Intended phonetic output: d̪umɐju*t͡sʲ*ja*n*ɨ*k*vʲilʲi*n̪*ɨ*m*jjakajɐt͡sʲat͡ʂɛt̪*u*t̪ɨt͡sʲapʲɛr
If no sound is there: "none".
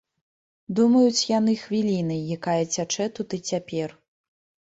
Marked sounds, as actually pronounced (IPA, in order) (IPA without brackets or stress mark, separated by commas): t͡sʲ, n, x, n̪, none, u